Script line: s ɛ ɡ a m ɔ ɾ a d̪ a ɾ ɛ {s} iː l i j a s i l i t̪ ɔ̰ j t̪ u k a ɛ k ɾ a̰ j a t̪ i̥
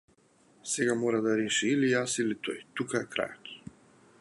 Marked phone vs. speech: incorrect: ʃ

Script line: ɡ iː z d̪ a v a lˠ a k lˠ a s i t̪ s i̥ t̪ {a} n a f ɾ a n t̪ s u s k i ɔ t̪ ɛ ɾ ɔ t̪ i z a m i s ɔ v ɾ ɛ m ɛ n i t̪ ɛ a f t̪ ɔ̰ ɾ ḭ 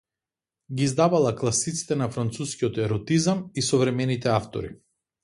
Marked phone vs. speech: incorrect: ɛ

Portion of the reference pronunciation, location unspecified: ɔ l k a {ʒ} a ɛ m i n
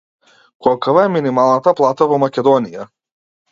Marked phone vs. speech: incorrect: v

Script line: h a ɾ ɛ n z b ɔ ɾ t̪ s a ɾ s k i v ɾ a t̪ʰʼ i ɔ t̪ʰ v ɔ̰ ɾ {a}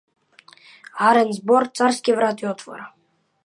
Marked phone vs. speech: correct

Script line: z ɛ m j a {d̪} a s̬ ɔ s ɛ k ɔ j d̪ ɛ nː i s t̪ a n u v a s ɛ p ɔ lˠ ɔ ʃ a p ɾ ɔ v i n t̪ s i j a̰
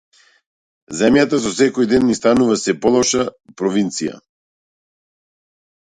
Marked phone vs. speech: incorrect: t̪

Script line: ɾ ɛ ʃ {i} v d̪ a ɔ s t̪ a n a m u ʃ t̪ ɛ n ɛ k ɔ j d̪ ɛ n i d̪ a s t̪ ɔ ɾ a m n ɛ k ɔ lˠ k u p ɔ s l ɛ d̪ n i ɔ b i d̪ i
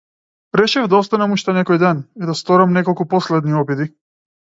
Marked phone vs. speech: incorrect: ɛ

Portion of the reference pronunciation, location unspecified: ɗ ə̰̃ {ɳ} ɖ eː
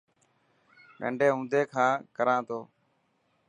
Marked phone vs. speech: correct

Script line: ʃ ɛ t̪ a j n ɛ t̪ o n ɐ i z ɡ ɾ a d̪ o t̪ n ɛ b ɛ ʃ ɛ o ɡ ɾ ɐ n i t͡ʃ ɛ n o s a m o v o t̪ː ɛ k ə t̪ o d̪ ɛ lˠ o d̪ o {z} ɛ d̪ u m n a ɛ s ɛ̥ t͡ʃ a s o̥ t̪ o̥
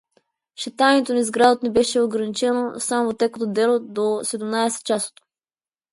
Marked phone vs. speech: incorrect: s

